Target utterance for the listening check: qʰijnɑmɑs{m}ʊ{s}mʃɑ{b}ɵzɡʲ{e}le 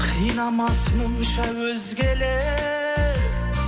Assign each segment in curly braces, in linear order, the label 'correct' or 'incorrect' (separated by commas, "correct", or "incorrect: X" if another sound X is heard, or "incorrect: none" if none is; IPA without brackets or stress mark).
correct, incorrect: none, incorrect: w, correct